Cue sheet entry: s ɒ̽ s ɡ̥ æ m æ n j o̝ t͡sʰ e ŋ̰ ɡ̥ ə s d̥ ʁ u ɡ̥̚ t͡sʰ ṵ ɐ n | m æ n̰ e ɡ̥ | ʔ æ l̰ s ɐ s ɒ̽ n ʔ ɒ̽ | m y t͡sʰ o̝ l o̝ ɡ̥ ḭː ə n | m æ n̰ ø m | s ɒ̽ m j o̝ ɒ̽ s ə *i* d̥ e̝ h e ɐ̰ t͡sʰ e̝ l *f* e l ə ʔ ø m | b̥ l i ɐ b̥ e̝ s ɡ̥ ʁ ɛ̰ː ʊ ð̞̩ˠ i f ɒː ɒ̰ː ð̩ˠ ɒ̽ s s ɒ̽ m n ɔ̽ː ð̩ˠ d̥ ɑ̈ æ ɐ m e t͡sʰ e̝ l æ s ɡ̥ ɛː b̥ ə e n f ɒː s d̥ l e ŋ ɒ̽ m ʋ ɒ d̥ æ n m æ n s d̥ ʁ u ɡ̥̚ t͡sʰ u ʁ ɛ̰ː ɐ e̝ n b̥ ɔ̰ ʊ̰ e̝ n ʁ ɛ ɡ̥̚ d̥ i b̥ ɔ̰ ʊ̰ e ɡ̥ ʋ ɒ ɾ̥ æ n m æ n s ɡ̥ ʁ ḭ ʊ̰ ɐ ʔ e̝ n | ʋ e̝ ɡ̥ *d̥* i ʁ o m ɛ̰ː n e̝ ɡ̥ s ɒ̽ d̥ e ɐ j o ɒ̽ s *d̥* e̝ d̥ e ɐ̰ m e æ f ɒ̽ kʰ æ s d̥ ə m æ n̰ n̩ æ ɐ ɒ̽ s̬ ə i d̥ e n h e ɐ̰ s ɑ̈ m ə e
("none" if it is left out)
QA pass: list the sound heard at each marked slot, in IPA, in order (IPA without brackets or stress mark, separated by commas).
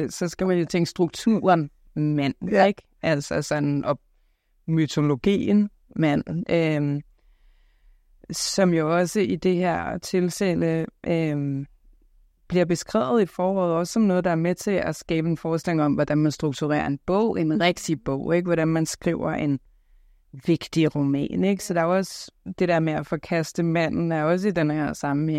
i, s, d̥, d̥